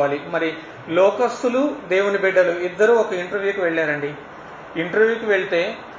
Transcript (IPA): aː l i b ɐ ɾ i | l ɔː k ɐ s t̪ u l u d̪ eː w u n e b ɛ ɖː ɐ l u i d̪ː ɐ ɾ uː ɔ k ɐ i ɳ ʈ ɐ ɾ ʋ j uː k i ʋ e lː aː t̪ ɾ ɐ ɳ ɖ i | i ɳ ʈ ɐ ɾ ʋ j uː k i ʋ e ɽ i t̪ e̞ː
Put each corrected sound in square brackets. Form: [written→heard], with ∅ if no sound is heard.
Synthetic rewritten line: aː l i [b→m] ɐ ɾ i | l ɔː k ɐ s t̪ u l u d̪ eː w u n [e→i] b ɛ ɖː ɐ l u i d̪ː ɐ ɾ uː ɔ k ɐ i ɳ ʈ ɐ ɾ ʋ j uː k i ʋ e [lː→ɭː] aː [t̪→∅] ɾ ɐ ɳ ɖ i | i ɳ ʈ ɐ ɾ ʋ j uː k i ʋ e [ɽ→ɭ] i t̪ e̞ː